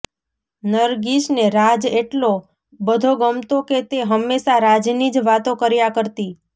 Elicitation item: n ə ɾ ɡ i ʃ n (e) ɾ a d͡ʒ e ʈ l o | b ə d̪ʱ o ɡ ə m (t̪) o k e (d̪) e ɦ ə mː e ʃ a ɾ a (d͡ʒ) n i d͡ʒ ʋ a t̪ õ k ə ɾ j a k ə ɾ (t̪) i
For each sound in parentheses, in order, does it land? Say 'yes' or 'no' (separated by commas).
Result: yes, yes, no, yes, yes